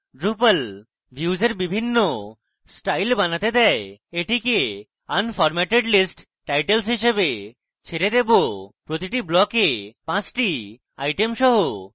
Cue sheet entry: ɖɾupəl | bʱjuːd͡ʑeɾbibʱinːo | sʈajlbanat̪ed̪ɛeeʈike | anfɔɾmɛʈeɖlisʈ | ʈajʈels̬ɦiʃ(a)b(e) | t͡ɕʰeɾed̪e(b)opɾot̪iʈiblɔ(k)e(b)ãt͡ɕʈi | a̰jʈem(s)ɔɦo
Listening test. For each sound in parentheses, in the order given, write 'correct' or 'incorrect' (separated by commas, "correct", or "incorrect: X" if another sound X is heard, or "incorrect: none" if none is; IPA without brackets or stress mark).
incorrect: e, correct, correct, correct, incorrect: p, incorrect: ʃ